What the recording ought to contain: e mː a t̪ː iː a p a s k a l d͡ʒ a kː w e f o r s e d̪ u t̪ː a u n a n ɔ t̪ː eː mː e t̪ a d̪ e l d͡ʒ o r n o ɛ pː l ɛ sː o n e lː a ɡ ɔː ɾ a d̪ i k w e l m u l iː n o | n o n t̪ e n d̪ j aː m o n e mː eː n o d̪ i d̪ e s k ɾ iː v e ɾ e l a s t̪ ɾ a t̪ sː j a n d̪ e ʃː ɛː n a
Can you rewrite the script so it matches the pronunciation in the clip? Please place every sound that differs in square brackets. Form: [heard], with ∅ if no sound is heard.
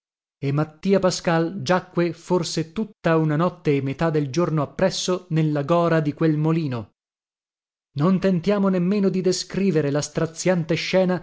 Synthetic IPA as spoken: e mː a t̪ː iː a p a s k a l d͡ʒ a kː w e f o r s e [t̪] u t̪ː a u n a n ɔ t̪ː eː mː e t̪ a d̪ e l d͡ʒ o r n o [a] pː [ɾ] ɛ sː o n e lː a ɡ ɔː ɾ a d̪ i k w e l m [o] l iː n o | n o n t̪ e n [t̪] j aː m o n e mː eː n o d̪ i d̪ e s k ɾ iː v e ɾ e l a s t̪ ɾ a t̪ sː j a n [t̪] e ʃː ɛː n a